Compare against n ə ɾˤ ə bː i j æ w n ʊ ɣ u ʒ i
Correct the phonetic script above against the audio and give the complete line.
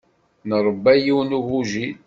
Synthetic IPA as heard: n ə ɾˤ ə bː æ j i w n u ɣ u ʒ i

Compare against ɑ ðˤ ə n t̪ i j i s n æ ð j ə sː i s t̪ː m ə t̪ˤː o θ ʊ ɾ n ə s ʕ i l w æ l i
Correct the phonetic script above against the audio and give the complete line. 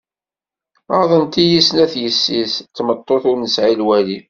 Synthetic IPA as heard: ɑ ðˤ ə n t̪ i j i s n æ θ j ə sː i s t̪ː m ə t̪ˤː o θ ʊ ɾ n ə s ʕ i l w æ l i

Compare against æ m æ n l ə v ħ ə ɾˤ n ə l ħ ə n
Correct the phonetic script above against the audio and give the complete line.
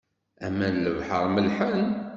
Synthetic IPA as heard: æ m æ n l ə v ħ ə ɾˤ m ə l ħ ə n

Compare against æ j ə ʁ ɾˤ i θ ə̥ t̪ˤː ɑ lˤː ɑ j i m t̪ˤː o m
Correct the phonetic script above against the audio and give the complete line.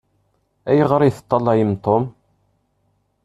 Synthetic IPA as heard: æ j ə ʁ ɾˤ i θ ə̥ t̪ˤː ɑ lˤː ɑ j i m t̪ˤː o m

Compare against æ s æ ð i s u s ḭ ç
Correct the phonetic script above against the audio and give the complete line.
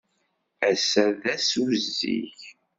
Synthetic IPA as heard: æ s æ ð æ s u z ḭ ç

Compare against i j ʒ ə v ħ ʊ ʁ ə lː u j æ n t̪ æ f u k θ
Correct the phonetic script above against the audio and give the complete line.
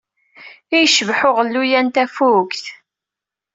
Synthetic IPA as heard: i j ʃ ə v ħ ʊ ʁ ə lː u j æ n t̪ æ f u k θ

